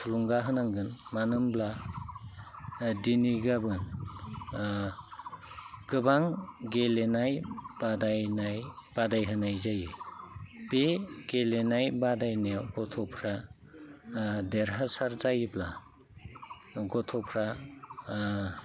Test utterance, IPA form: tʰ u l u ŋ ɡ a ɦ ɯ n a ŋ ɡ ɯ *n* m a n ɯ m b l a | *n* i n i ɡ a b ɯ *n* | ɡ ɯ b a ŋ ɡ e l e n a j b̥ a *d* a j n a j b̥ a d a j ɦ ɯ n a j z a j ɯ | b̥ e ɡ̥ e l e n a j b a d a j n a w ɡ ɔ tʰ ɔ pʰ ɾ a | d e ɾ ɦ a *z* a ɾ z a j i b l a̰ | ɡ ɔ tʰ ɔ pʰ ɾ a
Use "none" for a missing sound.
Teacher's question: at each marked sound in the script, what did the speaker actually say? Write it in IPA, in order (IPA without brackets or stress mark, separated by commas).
n, d, n, d, s